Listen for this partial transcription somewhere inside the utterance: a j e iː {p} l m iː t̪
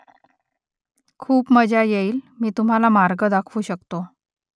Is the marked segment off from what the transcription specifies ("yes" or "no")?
yes